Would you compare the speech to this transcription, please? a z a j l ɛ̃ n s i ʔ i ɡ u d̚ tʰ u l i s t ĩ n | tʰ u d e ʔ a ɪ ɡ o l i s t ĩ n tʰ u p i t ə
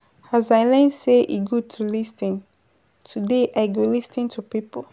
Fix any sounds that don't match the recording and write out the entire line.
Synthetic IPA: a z a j l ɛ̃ n s e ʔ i ɡ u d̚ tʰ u l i s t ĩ n | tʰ u d e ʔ a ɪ ɡ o l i s t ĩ n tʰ u p i p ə